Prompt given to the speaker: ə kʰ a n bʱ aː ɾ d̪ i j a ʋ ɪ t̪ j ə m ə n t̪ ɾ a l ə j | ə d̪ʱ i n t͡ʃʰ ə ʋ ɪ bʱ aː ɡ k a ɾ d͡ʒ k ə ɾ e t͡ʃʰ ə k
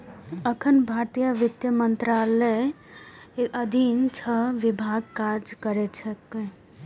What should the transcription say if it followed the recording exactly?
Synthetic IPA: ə kʰ ə n bʱ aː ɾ t̪ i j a ʋ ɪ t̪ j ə m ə n t̪ ɾ a l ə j | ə d̪ʱ i n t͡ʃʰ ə ʋ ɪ bʱ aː ɡ k a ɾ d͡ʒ k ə ɾ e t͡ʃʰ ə k

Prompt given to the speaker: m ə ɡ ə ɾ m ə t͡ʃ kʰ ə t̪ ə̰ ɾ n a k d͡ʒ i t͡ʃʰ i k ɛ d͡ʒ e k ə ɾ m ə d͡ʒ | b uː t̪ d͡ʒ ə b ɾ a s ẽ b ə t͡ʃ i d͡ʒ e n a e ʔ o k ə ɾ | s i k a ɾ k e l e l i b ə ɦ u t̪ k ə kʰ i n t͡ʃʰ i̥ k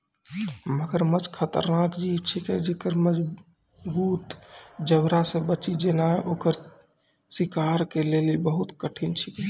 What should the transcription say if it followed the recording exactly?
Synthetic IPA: m ə ɡ ə ɾ m ə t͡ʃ kʰ ə t̪ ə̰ ɾ n a k d͡ʒ i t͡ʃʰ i k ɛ d͡ʒ e k ə ɾ m ə d͡ʒ | b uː t̪ d͡ʒ ə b ɾ a s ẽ b ə t͡ʃ i d͡ʒ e n a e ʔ o k ə ɾ | s i k a ɾ k e l e l i b ə ɦ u t̪ k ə ʈʰ i n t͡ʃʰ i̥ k

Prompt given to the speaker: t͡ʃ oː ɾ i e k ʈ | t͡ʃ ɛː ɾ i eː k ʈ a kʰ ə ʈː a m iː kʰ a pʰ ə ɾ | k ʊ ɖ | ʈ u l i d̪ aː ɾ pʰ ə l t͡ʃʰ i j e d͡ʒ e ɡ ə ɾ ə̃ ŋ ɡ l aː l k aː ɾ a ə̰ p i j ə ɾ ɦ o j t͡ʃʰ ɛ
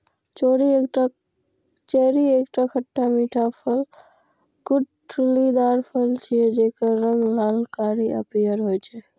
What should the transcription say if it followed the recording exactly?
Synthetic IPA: t͡ʃ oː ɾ i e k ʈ | t͡ʃ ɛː ɾ i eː k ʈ a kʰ ə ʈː a m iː ʈʰ a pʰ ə l | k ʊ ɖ | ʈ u l i d̪ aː ɾ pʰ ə l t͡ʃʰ i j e d͡ʒ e k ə ɾ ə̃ ŋ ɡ l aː l k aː ɾ i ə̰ p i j ə ɾ ɦ o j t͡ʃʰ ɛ

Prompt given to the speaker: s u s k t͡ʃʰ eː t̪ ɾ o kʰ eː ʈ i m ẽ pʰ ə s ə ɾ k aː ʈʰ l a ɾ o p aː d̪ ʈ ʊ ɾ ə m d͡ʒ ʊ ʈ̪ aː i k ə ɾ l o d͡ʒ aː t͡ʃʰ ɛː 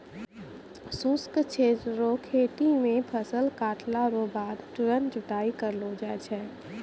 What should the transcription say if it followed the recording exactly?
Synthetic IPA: s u s k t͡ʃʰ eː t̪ ɾ o kʰ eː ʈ i m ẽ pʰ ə s ə l k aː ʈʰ l a ɾ o b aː d̪ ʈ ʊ ɾ ə n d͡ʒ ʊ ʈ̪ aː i k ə ɾ l o d͡ʒ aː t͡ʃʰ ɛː

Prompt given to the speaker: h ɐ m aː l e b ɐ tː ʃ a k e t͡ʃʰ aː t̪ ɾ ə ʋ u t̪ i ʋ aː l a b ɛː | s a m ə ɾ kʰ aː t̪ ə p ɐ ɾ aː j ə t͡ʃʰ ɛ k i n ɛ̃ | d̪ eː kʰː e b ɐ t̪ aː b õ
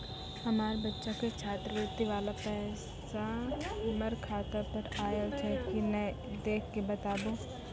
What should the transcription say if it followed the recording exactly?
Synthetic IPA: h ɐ m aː ɾ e b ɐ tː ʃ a k e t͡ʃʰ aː t̪ ɾ ə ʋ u t̪ i ʋ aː l a p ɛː | s a m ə ɾ kʰ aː t̪ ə p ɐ ɾ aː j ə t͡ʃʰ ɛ k i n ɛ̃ | d̪ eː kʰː e b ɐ t̪ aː b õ

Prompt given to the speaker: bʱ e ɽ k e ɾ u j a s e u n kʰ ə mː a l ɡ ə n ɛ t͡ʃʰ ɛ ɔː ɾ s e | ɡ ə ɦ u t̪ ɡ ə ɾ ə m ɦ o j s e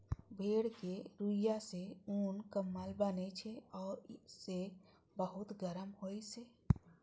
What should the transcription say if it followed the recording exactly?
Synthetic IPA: bʱ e ɽ k e ɾ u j a s e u n k ə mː a l b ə n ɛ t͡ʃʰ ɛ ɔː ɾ s e | b ə ɦ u t̪ ɡ ə ɾ ə m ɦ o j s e

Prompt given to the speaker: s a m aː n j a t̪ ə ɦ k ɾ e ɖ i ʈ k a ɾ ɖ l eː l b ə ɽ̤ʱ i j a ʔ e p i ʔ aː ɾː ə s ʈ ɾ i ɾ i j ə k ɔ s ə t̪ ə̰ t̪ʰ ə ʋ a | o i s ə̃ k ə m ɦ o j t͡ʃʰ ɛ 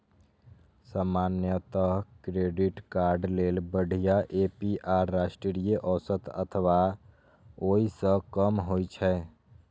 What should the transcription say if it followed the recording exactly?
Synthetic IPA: s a m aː n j ə t̪ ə ɦ k ɾ e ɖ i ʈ k a ɾ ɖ l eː l b ə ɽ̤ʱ i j a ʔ e p i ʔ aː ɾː a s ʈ ɾ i ɾ i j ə ʔ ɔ s ə t̪ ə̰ t̪ʰ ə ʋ a | o i s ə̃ k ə m ɦ o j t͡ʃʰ ɛ

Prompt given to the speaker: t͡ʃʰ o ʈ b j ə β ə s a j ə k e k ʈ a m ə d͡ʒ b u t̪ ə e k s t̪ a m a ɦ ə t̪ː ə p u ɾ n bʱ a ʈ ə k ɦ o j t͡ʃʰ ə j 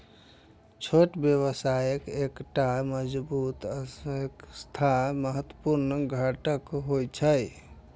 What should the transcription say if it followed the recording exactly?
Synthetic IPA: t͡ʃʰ o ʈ b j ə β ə s a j ə k e k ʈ a m ə d͡ʒ b u t̪ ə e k s t̪ʰ a m ə ɦ ə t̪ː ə p u ɾ n ɡʱ a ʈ ə k ɦ o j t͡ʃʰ ə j

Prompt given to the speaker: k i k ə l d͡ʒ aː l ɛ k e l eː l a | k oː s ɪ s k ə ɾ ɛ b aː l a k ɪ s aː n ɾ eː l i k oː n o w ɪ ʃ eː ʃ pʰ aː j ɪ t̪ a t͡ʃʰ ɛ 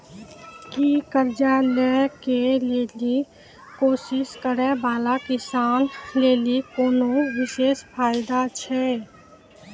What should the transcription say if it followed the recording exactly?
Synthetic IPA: k i k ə ɾ d͡ʒ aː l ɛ k e l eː l i | k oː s ɪ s k ə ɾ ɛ b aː l a k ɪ s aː n l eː l i k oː n o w ɪ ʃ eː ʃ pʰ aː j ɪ d̪ a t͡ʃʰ ɛ

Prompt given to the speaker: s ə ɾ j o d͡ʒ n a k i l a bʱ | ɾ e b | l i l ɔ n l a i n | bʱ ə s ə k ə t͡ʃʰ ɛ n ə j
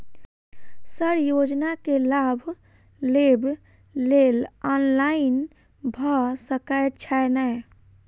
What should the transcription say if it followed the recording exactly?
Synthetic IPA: s ə ɾ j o d͡ʒ n a k e l a bʱ | l e b | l e l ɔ n l a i n | bʱ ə s ə k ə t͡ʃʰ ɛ n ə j

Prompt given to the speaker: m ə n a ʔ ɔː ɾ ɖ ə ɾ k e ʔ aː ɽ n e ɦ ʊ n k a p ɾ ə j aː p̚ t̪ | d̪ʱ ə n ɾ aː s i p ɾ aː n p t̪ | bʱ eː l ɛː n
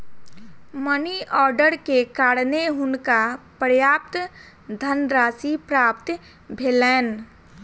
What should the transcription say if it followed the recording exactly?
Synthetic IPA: m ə n i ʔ ɔː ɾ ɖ ə ɾ k e k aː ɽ n e ɦ ʊ n k a p ɾ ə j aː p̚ t̪ | d̪ʱ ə n ɾ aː s i p ɾ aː p t̪ | bʱ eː l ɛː n

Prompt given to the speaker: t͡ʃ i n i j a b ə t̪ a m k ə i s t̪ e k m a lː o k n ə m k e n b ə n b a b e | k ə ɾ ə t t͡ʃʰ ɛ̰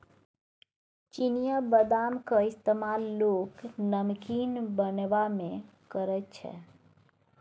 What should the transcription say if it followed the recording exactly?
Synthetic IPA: t͡ʃ i n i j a b ə d̪ a m k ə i s t̪ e m a lː o k n ə m k i n b ə n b a m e | k ə ɾ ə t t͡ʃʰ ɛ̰

